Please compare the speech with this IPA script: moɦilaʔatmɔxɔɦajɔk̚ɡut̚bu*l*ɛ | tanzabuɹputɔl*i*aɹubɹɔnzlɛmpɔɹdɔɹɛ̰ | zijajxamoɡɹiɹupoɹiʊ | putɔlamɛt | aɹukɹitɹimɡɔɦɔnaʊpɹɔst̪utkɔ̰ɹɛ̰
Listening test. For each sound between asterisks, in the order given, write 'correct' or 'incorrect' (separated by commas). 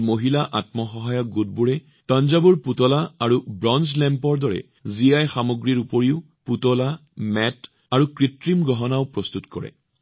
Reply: incorrect, incorrect